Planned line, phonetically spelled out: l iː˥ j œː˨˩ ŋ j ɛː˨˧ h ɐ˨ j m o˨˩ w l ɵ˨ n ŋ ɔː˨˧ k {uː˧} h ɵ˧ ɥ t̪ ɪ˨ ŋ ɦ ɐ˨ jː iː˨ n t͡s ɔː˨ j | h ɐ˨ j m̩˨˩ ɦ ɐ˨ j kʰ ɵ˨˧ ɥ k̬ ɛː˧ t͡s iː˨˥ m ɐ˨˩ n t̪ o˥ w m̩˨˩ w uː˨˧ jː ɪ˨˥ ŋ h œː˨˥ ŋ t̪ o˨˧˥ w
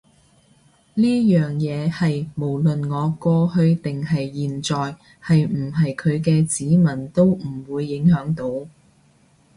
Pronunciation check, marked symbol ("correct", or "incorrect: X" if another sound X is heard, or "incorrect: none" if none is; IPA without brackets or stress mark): incorrect: ɔː˧